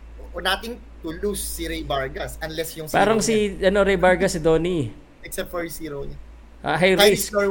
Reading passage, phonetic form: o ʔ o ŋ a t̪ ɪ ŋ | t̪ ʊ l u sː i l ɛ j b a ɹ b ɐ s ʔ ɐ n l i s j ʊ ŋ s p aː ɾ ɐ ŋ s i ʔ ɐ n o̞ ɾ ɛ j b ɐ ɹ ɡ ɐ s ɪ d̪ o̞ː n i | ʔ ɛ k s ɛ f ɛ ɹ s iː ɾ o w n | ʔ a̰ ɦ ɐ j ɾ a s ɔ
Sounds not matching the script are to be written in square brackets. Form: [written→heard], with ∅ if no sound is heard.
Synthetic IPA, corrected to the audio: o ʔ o [ŋ→n] a t̪ ɪ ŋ | t̪ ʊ l u sː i [l→ɾ] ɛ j b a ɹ [b→ɡ] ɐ s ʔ ɐ n l [i→ɛ] s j ʊ ŋ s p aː ɾ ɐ ŋ s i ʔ ɐ n o̞ ɾ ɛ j b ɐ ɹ ɡ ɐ s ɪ d̪ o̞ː n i | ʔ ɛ k s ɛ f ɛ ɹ s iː ɾ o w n | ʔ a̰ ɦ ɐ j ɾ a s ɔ